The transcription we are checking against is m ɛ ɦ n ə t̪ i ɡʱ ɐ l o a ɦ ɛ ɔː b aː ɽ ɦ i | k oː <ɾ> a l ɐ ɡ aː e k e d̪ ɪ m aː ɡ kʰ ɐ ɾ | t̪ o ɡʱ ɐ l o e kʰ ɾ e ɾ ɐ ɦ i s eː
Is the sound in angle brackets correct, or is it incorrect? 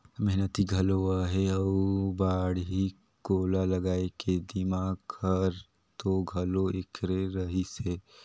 incorrect